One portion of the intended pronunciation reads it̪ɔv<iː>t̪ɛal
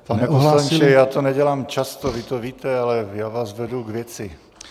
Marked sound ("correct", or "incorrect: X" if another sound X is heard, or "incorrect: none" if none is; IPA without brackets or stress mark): correct